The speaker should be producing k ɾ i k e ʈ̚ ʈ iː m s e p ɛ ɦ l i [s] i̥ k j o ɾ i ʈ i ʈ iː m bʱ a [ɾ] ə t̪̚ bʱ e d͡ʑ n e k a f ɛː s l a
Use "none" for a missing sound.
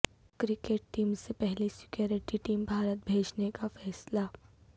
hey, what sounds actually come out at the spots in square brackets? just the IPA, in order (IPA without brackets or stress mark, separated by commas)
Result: s, ɾ